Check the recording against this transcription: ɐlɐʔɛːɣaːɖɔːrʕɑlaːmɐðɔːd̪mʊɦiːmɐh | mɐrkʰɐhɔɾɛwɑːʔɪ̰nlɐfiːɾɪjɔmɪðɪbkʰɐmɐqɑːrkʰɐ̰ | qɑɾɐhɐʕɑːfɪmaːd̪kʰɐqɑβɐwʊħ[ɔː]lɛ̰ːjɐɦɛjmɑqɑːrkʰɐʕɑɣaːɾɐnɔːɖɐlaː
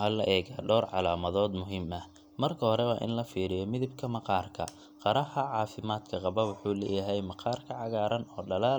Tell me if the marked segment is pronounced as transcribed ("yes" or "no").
no